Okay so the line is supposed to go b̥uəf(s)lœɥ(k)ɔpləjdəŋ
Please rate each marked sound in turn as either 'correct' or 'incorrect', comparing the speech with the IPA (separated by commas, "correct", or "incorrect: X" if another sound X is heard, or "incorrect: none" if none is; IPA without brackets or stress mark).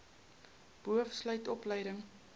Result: correct, incorrect: t